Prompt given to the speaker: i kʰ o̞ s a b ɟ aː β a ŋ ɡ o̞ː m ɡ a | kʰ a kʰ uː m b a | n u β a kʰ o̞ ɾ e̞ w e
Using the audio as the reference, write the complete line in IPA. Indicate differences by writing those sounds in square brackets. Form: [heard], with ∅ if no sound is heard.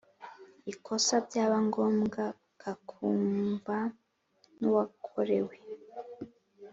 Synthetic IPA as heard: i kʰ o̞ s a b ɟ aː β a ŋ ɡ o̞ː m ɡ a | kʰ a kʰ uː m b a | n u [w] a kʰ o̞ ɾ e̞ w e